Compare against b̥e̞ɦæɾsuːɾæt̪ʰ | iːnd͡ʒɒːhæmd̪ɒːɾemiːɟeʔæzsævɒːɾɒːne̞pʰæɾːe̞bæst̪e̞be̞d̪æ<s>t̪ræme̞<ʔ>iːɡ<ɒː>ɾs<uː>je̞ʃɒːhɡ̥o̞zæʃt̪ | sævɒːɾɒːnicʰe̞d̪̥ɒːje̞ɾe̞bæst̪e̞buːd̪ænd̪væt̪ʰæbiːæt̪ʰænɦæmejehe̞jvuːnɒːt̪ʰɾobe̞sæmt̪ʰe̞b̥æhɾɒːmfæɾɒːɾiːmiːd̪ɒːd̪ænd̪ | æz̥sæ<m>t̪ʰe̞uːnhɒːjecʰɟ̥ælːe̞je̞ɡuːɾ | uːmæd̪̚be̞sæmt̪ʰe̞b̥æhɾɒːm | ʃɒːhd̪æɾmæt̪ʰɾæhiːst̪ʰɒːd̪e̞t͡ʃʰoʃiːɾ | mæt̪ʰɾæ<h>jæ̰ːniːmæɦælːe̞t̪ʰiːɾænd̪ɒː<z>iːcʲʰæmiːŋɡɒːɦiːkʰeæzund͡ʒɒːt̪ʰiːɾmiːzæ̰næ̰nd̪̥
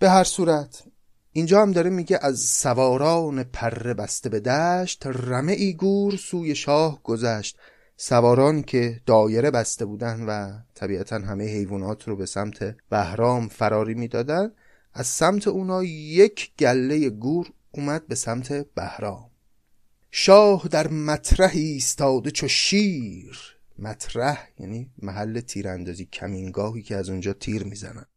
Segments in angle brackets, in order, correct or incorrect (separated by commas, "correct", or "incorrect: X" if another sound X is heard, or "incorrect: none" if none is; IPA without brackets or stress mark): incorrect: ʃ, correct, incorrect: uː, correct, correct, correct, correct